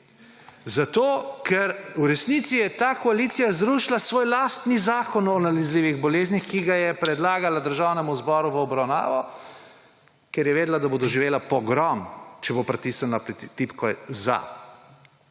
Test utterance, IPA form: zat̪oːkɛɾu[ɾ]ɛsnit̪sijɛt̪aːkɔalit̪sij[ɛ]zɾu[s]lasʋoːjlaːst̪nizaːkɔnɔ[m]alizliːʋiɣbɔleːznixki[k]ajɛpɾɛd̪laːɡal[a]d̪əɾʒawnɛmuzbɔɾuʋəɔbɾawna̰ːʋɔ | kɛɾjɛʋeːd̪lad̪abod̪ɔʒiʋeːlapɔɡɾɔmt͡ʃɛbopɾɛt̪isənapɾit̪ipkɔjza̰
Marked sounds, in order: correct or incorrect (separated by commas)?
correct, incorrect, incorrect, incorrect, incorrect, correct